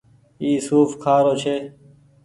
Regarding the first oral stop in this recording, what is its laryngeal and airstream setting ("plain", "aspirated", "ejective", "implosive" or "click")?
aspirated